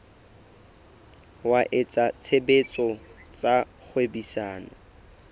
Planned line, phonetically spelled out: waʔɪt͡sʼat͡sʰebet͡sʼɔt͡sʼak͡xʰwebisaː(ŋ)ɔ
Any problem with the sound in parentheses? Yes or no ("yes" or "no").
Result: yes